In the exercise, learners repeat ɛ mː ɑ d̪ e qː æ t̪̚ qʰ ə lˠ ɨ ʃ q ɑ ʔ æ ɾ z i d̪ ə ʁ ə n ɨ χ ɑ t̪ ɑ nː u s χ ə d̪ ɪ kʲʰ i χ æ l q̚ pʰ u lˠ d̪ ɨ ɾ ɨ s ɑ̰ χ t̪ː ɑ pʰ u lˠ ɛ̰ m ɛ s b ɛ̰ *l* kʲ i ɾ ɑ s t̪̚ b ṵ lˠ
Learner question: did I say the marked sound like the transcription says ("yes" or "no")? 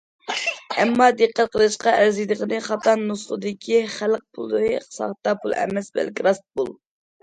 yes